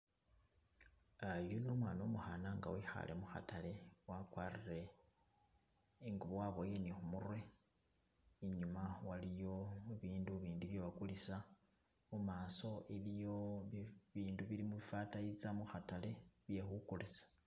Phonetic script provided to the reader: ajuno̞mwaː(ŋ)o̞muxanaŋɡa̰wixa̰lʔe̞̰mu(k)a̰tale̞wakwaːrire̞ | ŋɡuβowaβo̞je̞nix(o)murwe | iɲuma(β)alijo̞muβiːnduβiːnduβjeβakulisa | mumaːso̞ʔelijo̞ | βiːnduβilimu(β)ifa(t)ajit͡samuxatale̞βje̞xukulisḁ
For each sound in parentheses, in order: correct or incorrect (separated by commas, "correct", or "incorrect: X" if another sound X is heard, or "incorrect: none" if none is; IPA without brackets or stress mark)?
incorrect: n, incorrect: x, incorrect: u, incorrect: w, correct, correct